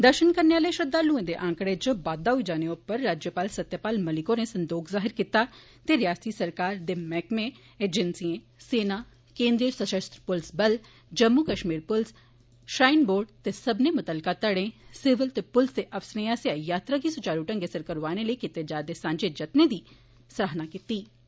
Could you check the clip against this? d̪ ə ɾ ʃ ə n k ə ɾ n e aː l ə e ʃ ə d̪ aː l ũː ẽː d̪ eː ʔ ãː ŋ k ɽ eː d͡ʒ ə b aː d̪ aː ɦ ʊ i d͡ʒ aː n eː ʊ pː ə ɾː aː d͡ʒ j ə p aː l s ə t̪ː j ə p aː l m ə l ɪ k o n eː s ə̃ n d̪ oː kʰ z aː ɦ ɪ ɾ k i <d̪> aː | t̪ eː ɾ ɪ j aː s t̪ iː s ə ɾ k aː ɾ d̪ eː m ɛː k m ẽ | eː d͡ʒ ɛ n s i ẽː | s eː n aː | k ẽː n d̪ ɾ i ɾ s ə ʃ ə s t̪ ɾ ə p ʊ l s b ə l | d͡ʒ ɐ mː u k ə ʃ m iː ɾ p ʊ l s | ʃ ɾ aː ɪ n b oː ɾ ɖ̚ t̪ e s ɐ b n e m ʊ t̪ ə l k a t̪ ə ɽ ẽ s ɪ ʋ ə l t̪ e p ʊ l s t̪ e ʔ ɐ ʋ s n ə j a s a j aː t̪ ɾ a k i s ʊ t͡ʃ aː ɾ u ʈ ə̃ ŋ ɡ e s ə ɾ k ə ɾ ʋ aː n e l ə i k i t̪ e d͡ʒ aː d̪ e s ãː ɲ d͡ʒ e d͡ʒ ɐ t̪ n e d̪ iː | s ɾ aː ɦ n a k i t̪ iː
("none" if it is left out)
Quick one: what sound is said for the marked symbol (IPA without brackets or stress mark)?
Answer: t̪